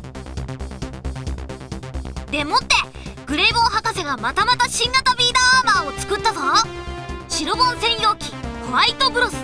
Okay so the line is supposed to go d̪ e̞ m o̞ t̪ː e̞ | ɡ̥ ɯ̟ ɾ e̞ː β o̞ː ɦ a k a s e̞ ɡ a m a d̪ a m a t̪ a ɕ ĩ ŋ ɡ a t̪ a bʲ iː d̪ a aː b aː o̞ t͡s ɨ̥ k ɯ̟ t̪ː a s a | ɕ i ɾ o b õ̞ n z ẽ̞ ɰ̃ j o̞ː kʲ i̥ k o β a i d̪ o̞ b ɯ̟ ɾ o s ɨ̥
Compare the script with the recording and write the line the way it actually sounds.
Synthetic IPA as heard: d̪ e̞ m o̞ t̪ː e̞ | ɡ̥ ɯ̟ ɾ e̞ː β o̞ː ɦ a k a s e̞ ɡ a m a t̪ a m a t̪ a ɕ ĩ ŋ ɡ a t̪ a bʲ iː d̪ a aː m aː o̞ t͡s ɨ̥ k ɯ̟ t̪ː a z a | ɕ i ɾ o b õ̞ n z ẽ̞ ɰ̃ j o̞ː kʲ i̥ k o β a i t̪ o̞ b ɯ̟ ɾ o s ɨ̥